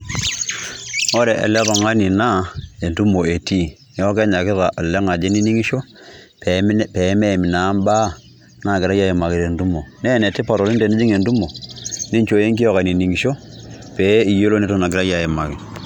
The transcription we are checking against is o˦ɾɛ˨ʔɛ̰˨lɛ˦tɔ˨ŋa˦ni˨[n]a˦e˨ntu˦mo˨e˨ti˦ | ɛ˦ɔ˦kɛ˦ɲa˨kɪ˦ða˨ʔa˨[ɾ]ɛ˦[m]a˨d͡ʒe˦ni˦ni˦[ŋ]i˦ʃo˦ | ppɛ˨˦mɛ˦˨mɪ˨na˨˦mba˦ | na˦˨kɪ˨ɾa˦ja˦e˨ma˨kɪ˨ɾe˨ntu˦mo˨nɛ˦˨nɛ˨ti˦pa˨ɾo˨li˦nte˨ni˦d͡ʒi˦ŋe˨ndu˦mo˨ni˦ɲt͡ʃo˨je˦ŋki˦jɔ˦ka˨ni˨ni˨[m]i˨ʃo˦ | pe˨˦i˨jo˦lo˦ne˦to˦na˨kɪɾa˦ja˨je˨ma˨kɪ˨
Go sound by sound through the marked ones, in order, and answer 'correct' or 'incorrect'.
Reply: correct, incorrect: l, incorrect: ŋ, correct, incorrect: ŋ

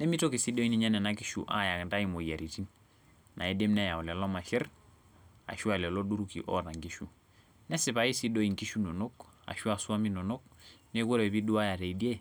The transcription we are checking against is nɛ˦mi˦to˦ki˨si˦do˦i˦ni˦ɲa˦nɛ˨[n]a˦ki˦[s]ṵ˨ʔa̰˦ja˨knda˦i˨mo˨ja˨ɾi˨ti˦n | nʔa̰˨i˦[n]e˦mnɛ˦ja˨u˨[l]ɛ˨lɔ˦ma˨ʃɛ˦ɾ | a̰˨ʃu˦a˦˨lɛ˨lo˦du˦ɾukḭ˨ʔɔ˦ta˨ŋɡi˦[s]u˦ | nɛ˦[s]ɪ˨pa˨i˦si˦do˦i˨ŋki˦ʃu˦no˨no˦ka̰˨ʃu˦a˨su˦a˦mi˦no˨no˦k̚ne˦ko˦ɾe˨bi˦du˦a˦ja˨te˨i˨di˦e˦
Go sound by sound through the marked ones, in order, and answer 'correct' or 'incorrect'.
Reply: correct, incorrect: ʃ, incorrect: d, correct, incorrect: ʃ, correct

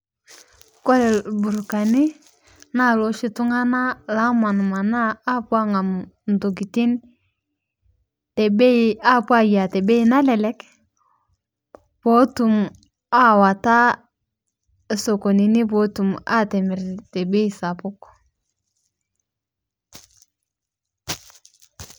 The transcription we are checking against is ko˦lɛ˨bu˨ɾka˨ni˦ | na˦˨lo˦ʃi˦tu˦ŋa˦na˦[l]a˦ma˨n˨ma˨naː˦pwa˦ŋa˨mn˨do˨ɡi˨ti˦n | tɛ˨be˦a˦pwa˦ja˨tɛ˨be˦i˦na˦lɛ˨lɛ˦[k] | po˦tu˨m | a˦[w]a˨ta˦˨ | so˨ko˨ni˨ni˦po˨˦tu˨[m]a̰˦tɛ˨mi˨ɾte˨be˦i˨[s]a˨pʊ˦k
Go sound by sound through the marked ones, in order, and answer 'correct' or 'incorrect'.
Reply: correct, correct, correct, correct, correct

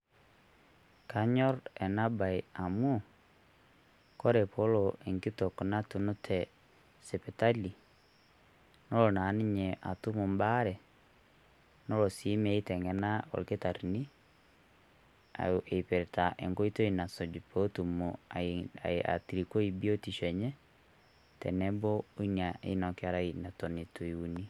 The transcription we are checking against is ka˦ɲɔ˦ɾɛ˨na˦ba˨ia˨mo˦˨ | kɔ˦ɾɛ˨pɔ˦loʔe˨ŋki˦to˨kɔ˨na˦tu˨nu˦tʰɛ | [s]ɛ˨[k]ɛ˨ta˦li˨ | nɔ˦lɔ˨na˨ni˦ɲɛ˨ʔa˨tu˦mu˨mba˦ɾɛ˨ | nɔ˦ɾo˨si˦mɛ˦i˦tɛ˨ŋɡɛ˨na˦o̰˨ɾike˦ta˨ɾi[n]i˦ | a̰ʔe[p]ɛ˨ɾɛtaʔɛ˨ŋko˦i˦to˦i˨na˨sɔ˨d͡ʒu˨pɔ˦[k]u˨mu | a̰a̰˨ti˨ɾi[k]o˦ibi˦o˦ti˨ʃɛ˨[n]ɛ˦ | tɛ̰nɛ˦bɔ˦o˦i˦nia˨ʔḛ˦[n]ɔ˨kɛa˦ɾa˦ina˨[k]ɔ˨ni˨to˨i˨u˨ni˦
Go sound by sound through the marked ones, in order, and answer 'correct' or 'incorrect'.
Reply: correct, incorrect: p, correct, correct, incorrect: t, correct, incorrect: ɲ, correct, incorrect: t

